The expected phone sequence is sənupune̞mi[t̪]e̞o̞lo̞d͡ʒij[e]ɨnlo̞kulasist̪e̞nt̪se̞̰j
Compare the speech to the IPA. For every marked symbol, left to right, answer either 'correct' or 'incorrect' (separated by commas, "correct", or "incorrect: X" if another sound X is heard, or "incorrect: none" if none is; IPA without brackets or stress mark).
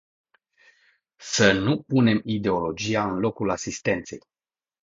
incorrect: d̪, incorrect: a